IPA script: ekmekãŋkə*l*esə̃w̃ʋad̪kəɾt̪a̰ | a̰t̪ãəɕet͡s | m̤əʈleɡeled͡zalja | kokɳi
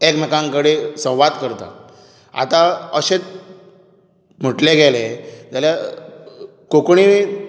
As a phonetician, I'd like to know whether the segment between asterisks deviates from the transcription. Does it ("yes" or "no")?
yes